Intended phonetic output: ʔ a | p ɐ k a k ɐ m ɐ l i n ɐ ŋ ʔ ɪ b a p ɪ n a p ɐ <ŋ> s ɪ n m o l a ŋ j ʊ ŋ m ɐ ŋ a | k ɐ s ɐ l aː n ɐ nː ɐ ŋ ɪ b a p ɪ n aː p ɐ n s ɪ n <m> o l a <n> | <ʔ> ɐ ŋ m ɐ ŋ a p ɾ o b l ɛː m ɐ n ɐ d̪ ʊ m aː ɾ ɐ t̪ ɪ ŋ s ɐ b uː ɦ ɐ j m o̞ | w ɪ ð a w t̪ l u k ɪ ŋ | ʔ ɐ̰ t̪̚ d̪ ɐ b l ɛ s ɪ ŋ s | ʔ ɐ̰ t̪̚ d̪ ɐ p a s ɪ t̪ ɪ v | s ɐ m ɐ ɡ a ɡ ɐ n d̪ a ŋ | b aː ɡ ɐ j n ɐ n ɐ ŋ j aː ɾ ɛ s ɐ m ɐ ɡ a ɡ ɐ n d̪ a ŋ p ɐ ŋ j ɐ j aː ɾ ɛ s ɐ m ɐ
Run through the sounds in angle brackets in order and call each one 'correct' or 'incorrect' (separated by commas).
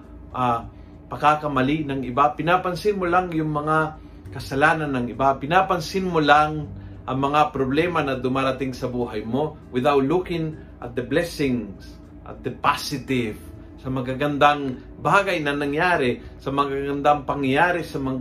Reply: incorrect, correct, incorrect, correct